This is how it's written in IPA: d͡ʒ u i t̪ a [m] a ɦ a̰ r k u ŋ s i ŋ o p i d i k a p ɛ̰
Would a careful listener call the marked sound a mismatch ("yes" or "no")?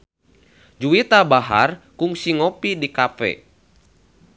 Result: yes